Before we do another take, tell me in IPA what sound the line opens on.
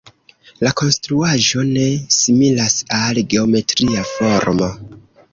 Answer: l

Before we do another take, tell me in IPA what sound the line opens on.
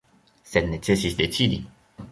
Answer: s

